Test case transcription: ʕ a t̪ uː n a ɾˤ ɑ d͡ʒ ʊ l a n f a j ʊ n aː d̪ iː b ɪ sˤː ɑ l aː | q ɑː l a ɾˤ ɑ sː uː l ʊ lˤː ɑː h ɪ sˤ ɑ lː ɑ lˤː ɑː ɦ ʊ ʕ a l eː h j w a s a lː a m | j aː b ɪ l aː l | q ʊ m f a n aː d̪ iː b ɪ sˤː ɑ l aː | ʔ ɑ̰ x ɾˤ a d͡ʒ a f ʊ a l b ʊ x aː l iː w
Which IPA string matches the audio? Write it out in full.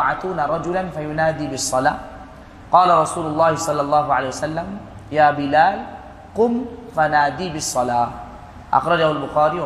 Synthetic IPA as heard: ʕ a t̪ uː n a ɾˤ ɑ d͡ʒ ʊ l a n f a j ʊ n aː d̪ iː b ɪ sˤː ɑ l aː | q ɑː l a ɾˤ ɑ s uː l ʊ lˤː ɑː h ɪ sˤ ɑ lː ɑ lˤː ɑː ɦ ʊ ʕ a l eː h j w a s a lː a m | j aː b ɪ l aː l | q ʊ m f a n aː d̪ iː b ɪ sˤː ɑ l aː | ʔ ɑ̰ x ɾˤ ɑ d͡ʒ a h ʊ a l b ʊ x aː ɾ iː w